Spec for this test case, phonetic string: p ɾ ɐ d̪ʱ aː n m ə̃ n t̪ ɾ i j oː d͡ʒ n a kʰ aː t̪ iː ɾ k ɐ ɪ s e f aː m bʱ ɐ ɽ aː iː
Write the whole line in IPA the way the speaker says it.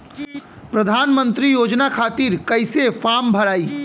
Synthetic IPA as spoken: p ɾ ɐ d̪ʱ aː n m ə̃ n t̪ ɾ i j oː d͡ʒ n a kʰ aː t̪ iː ɾ k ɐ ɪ s e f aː m bʱ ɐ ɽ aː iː